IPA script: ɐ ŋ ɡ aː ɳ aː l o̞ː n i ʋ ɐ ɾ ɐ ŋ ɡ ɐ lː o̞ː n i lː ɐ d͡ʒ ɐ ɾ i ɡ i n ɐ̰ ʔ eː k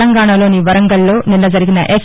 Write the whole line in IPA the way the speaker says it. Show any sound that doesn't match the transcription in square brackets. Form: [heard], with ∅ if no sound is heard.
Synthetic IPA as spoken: ɐ ŋ ɡ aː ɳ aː l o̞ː n i ʋ ɐ ɾ ɐ ŋ ɡ ɐ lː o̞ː n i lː ɐ d͡ʒ ɐ ɾ i ɡ i n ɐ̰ ʔ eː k